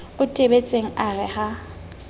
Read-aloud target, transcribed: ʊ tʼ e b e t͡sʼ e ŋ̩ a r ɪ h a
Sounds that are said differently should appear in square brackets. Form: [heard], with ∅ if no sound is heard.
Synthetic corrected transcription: ʊ tʼ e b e t͡sʼ e ŋ̩ a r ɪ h a